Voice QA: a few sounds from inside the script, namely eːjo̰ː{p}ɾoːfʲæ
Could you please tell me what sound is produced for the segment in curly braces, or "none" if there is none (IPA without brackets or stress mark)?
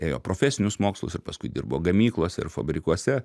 p